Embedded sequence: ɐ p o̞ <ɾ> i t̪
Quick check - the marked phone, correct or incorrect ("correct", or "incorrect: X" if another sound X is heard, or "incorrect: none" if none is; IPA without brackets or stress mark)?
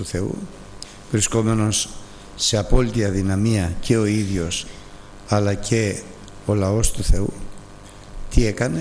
incorrect: l